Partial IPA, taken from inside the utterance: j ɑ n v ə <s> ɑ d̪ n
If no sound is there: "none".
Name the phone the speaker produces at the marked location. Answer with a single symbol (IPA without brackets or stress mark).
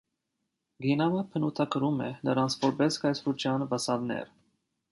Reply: s